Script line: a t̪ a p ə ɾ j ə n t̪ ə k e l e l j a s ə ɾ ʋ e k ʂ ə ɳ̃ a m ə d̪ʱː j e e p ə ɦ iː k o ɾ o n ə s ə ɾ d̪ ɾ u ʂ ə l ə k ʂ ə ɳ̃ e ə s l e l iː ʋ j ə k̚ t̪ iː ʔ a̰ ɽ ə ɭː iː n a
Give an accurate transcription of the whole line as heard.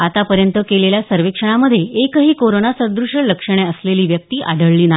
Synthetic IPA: a t̪ a p ə ɾ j ə n t̪ ə k e l e l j a s ə ɾ ʋ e k ʂ ə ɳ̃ a m ə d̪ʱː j e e k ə ɦ iː k o ɾ o n a s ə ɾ d̪ ɾ u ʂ ə l ə k ʂ ə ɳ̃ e ə s l e l iː ʋ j ə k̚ t̪ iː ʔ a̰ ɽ ə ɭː iː n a